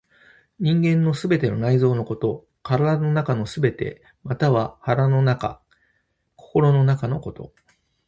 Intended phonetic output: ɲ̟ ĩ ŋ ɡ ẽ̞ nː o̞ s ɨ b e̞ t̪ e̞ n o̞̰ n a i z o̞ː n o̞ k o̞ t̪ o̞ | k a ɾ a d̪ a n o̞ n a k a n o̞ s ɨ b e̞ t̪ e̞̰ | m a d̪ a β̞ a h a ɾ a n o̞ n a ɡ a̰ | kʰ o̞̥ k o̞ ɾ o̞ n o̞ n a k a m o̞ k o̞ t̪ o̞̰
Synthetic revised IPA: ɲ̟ ĩ ŋ ɡ ẽ̞ nː o̞ s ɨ b e̞ t̪ e̞ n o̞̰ n a i z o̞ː n o̞ k o̞ t̪ o̞ | k a ɾ a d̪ a n o̞ n a k a n o̞ s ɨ b e̞ t̪ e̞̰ | m a t̪ a β̞ a h a ɾ a n o̞ n a k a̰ | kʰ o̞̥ k o̞ ɾ o̞ n o̞ n a k a n o̞ k o̞ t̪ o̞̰